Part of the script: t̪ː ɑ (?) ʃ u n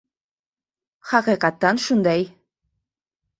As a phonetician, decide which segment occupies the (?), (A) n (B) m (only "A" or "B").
A